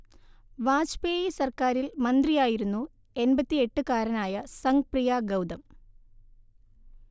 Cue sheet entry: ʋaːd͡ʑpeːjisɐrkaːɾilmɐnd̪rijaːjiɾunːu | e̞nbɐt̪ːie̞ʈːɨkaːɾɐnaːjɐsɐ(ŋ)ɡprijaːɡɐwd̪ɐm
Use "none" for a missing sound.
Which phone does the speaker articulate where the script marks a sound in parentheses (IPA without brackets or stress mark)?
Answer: ŋ